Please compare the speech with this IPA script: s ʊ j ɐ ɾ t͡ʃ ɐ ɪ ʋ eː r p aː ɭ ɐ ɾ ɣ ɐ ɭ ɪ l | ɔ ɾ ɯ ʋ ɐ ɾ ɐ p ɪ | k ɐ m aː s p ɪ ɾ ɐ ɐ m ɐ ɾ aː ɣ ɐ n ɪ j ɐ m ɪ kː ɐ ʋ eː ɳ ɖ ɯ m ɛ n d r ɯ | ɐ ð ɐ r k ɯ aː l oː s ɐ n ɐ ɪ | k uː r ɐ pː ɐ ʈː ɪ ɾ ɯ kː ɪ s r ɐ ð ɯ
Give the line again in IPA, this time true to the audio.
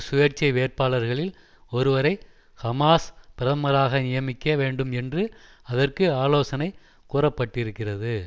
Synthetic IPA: s ʊ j ɐ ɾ t͡ʃ ɐ ɪ ʋ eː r p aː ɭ ɐ ɾ ɣ ɐ ɭ ɪ l | ɔ ɾ ɯ ʋ ɐ ɾ ɐ ɪ | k ɐ m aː s p ɪ ɾ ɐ ɐ m ɐ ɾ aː ɣ ɐ n ɪ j ɐ m ɪ kː ɐ ʋ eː ɳ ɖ ɯ m ɛ n d r ɯ | ɐ ð ɐ r k ɯ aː l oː s ɐ n ɐ ɪ | k uː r ɐ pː ɐ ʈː ɪ ɾ ɯ kː ɪ r ɐ ð ɯ